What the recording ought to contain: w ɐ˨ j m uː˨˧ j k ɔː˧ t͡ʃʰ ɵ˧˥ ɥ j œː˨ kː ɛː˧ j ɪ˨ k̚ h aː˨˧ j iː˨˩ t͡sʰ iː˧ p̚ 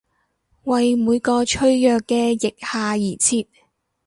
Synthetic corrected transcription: w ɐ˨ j m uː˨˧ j k ɔː˧ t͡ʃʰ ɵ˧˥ ɥ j œː˨ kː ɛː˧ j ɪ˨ k̚ h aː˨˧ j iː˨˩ t͡sʰ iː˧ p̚